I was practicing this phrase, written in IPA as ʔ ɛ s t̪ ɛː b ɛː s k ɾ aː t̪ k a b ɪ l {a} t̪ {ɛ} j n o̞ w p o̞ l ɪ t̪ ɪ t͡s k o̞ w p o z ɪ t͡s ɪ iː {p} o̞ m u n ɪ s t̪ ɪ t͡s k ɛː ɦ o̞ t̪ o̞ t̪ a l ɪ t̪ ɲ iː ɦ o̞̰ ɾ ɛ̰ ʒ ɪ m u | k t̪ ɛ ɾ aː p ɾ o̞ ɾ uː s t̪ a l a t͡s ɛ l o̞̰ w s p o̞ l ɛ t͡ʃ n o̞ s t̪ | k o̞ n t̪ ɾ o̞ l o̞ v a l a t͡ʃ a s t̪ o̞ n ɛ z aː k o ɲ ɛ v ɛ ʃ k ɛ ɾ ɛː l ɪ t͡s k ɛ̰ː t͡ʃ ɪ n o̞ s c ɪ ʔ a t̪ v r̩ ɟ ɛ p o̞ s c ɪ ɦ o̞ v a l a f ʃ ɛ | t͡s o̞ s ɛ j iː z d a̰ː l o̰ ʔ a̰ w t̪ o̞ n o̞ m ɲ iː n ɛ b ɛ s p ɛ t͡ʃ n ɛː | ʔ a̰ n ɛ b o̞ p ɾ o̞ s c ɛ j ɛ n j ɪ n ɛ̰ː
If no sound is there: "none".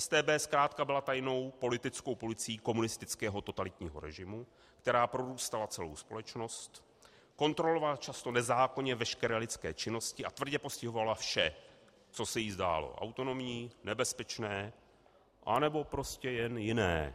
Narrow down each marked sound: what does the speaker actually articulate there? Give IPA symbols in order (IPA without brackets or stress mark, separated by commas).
a, a, k